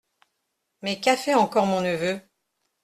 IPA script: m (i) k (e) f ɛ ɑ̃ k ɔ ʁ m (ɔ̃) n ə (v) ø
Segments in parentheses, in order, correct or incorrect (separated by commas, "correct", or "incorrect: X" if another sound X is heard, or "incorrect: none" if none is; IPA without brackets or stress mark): incorrect: ɛ, incorrect: a, correct, correct